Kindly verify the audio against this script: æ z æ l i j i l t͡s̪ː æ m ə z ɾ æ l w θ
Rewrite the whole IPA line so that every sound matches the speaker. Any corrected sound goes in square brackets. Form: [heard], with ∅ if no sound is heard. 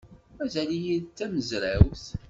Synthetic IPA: æ z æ l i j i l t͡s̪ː æ m ə z ɾ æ [∅] w θ